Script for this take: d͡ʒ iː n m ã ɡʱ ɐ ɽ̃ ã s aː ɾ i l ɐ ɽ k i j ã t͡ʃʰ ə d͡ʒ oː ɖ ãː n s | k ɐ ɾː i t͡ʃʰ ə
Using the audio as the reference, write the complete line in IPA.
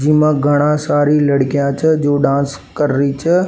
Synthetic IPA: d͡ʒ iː m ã ɡʱ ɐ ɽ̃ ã s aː ɾ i l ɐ ɽ k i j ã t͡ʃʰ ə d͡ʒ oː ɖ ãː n s | k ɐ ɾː i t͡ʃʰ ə